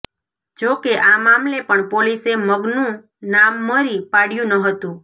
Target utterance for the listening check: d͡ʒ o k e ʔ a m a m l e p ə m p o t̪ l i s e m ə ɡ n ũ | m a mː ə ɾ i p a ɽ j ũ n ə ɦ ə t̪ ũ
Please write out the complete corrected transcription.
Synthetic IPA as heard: d͡ʒ o k e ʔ a m a m l e p ə ɳ p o l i s e m ə ɡ n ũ | n a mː ə ɾ i p a ɽ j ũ n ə ɦ ə t̪ ũ